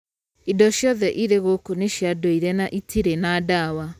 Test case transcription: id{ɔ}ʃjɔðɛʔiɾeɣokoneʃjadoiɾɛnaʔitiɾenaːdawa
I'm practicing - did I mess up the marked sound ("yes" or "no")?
no